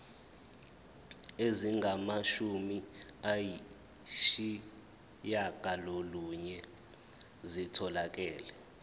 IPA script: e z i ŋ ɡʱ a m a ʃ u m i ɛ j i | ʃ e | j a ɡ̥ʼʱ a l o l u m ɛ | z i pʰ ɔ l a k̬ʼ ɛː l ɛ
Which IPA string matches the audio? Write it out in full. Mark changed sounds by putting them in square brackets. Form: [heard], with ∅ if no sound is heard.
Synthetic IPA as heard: e z i ŋ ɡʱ a m a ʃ u m i [a] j i | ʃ [i] | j a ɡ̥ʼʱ a l o l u [ɲ] ɛ | z i [tʰ] ɔ l a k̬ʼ ɛː l ɛ

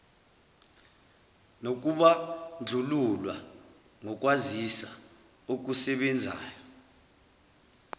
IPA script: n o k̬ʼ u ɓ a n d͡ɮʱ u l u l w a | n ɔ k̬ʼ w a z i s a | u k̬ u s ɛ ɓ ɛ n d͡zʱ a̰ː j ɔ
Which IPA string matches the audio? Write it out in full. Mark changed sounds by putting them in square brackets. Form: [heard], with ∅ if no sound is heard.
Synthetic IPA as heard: n o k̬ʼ u ɓ a n d͡ɮʱ u l u l w a | [ŋ] ɔ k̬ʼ w a z i s a | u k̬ u s ɛ ɓ ɛ n d͡zʱ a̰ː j ɔ

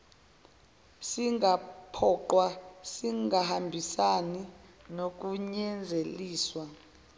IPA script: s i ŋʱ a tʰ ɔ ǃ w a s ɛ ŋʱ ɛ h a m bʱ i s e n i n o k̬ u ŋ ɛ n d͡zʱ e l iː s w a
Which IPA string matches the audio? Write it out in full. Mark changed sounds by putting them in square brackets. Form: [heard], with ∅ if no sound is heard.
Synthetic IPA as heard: s i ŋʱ a [pʰ] ɔ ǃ w a s [i] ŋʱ [a] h a m bʱ i s [a] n i n o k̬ u [ɲ] ɛ n d͡zʱ e l iː s w a

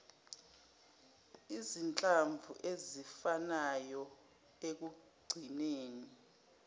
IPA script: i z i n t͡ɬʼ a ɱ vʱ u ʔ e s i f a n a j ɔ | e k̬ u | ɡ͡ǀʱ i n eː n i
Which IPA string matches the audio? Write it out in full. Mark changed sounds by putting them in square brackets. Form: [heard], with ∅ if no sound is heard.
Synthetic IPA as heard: i z i n t͡ɬʼ a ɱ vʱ u ʔ e [z] i f a n a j ɔ | e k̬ u | ɡ͡ǀʱ i n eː n i

